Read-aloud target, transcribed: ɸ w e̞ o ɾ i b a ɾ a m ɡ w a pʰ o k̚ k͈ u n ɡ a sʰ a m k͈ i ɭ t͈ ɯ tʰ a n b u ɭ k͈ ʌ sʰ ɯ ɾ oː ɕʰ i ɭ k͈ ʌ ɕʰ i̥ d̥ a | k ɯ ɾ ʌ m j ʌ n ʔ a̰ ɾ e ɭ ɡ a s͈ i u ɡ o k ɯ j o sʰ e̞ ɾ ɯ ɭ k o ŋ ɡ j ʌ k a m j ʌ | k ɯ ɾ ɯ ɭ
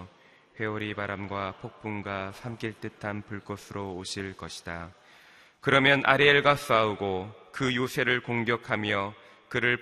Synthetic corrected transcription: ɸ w e̞ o ɾ i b a ɾ a m ɡ w a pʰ o k̚ p͈ u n ɡ a sʰ a m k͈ i ɭ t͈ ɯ tʰ a n p u ɭ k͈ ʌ sʰ ɯ ɾ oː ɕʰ i ɭ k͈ ʌ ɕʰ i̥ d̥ a | k ɯ ɾ ʌ m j ʌ n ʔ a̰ ɾ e ɭ ɡ a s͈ a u ɡ o k ɯ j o sʰ e̞ ɾ ɯ ɭ k o ŋ ɡ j ʌ kʰ a m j ʌ | k ɯ ɾ ɯ ɭ